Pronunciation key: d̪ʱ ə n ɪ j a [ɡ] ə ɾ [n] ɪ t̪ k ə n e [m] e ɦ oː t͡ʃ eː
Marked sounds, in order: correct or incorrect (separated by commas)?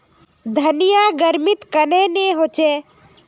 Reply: correct, incorrect, incorrect